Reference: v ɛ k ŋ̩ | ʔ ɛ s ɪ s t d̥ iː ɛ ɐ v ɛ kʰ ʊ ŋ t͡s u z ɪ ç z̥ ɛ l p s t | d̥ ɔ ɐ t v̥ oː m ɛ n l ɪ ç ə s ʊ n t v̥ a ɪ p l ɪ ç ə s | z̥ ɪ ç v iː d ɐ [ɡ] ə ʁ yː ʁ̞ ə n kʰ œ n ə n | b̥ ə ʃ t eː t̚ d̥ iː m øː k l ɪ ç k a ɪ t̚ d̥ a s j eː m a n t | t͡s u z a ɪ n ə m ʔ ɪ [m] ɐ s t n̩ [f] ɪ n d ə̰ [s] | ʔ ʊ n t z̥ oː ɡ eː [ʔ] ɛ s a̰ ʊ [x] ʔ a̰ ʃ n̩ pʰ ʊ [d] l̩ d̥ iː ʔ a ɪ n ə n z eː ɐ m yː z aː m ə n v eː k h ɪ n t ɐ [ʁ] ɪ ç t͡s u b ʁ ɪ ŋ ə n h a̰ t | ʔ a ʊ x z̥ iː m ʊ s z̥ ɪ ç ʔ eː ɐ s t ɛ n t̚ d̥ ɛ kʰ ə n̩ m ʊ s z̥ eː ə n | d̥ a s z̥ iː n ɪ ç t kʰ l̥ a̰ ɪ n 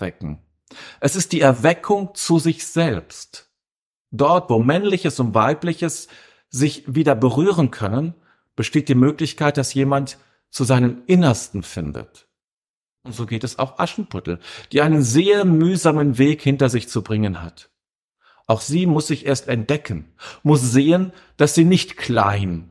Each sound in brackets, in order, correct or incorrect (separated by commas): incorrect, incorrect, correct, incorrect, incorrect, correct, incorrect, incorrect